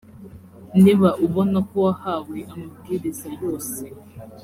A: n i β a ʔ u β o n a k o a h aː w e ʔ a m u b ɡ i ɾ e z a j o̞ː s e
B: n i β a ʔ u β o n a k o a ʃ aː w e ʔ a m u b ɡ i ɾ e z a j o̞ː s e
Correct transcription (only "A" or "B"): A